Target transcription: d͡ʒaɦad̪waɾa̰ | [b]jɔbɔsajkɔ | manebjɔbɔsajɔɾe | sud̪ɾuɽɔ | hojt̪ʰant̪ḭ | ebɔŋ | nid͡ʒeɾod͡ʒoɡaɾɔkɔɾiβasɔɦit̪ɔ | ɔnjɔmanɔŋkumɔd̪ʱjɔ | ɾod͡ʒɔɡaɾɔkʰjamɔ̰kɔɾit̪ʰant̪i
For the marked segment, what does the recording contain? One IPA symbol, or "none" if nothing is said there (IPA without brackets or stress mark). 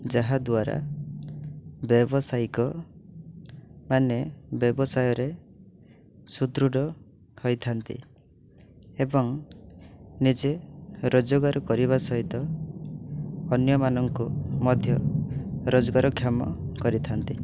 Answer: b